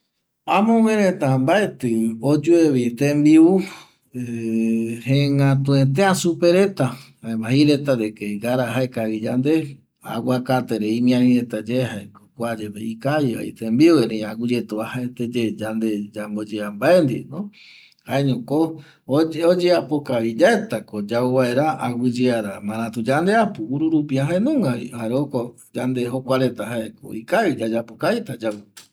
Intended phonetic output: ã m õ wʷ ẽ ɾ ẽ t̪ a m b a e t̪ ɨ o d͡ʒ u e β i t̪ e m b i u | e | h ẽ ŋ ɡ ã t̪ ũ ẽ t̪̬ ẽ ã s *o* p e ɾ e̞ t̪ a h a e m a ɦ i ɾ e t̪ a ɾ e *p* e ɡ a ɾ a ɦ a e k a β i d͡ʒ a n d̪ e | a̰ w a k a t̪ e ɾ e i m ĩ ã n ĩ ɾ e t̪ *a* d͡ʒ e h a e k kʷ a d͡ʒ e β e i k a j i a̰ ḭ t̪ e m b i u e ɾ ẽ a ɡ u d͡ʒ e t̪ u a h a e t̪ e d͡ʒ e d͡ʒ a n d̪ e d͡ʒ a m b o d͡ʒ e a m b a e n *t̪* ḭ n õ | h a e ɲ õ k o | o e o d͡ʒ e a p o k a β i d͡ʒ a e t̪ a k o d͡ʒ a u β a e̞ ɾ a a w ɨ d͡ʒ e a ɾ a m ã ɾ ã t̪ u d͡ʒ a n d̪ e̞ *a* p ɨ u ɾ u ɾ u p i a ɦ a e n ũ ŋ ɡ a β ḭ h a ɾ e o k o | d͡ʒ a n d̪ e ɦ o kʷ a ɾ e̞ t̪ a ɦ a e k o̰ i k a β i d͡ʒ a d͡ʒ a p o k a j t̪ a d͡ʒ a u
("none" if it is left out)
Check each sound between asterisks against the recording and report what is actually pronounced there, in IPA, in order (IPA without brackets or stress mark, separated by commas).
u, k, a, d̪, a